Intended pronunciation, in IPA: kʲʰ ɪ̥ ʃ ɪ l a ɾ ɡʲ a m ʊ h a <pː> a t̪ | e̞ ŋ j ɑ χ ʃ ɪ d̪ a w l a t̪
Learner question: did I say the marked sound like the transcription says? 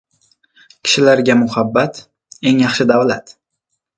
no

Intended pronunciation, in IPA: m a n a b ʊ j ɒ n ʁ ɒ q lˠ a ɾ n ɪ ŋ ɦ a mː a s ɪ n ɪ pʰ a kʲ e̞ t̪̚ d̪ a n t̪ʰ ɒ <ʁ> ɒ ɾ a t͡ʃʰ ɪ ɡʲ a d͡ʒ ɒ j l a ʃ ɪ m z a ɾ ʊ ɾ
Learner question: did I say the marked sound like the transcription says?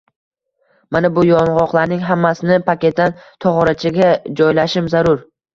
yes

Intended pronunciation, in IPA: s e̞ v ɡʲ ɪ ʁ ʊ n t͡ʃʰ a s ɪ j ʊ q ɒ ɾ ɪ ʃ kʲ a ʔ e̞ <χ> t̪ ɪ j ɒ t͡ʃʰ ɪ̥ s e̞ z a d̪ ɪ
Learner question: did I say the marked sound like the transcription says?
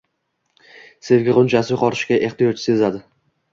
yes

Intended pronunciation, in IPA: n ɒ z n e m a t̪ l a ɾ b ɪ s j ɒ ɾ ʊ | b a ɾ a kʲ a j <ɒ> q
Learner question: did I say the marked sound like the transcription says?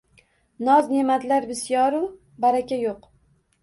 no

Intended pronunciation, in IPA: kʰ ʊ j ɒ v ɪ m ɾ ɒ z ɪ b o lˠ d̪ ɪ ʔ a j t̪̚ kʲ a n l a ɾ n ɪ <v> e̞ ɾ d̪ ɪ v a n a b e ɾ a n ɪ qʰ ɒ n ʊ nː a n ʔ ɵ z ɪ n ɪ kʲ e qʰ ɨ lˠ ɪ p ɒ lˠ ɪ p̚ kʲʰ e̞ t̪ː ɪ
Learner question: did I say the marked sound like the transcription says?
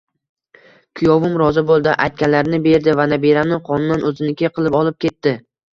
no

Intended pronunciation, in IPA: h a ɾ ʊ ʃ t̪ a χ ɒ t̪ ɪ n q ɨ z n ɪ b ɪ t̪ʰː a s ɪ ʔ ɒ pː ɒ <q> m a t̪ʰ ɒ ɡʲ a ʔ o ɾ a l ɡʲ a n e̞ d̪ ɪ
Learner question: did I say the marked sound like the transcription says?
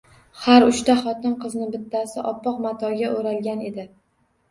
yes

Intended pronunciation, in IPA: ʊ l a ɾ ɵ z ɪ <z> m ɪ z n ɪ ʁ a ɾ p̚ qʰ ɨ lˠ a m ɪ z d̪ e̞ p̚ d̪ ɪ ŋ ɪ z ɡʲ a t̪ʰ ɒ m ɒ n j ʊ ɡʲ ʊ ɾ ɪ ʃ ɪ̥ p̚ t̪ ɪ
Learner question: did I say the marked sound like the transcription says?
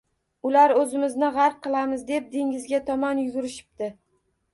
no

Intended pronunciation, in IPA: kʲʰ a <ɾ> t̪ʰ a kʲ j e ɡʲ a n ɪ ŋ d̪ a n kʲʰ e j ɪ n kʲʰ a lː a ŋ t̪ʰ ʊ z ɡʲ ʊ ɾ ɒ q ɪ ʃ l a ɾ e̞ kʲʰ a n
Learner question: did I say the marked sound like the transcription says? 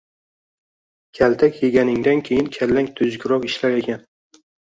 no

